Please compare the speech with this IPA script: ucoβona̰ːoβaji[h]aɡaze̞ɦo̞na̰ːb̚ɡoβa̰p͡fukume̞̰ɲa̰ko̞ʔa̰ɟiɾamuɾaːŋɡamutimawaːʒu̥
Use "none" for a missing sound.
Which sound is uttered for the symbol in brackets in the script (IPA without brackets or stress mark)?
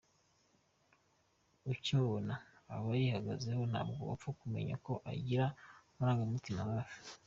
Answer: h